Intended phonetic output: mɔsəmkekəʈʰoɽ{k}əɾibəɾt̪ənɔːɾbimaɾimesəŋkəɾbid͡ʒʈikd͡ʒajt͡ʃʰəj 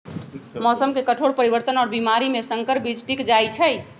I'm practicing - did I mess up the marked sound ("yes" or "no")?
yes